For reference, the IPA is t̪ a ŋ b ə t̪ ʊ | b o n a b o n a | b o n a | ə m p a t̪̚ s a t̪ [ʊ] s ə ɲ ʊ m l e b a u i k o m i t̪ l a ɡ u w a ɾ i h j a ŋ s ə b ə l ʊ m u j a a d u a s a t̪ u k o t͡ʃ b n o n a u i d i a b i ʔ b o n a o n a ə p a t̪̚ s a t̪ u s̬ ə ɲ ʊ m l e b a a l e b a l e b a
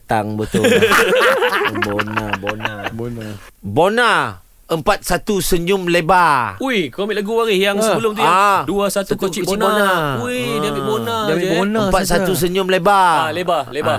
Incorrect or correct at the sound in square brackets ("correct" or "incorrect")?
incorrect